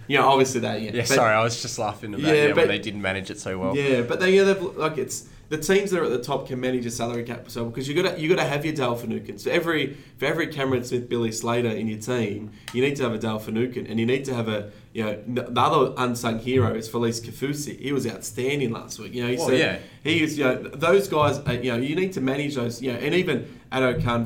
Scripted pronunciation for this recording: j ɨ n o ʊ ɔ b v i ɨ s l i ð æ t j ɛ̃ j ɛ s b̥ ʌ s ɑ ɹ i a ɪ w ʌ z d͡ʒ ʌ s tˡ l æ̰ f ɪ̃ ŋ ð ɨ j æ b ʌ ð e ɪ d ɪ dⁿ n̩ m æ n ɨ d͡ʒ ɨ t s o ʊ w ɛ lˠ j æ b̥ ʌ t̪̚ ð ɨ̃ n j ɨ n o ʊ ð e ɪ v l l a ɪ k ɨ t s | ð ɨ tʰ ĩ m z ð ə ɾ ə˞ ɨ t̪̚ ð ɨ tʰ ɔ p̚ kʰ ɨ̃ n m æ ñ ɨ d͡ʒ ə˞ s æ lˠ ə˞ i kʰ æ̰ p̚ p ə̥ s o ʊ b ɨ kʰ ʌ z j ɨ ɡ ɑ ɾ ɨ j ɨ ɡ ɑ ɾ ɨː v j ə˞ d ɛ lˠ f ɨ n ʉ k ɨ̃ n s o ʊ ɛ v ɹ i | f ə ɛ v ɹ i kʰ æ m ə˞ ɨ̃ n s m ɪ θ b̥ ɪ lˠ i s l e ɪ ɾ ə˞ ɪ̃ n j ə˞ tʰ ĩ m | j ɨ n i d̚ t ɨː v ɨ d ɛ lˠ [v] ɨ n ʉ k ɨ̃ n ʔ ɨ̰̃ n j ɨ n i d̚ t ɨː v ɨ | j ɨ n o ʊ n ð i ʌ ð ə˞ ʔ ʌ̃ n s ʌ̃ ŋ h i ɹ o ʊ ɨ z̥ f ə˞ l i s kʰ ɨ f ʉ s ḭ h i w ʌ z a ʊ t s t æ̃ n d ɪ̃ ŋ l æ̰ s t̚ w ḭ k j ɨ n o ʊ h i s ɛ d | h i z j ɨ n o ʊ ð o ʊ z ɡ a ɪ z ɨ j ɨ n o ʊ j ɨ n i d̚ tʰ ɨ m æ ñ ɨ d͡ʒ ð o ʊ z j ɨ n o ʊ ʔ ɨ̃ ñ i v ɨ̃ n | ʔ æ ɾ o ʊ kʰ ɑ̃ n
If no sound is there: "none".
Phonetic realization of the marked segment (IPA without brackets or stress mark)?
f